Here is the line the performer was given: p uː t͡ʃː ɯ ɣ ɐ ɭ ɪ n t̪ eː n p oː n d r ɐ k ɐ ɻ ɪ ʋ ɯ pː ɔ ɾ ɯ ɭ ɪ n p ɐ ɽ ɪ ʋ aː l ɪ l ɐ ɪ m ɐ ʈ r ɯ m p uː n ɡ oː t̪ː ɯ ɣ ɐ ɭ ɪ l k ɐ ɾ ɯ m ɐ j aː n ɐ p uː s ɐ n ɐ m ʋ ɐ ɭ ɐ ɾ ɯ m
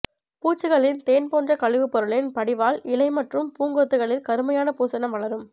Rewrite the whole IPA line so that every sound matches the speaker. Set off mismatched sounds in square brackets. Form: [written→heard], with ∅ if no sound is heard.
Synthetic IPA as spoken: p uː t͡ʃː ɯ ɣ ɐ ɭ ɪ n t̪ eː n p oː n d r ɐ k ɐ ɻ ɪ ʋ ɯ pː ɔ ɾ ɯ ɭ ɪ n p ɐ ɽ ɪ ʋ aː l ɪ l ɐ ɪ m ɐ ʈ r ɯ m p uː [n→ŋ] ɡ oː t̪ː ɯ ɣ ɐ ɭ ɪ l k ɐ ɾ ɯ m ɐ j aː n ɐ p uː s ɐ n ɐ m ʋ ɐ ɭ ɐ ɾ ɯ m

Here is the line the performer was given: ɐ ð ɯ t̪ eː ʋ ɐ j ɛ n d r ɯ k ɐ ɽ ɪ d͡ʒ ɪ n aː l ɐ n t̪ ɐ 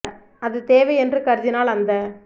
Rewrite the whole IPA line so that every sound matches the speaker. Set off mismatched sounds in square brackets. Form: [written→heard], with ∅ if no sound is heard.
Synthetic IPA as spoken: ɐ ð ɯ t̪ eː ʋ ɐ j ɛ n d r ɯ k ɐ [ɽ→ɾ] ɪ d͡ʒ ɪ n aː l ɐ n [t̪→d̪] ɐ

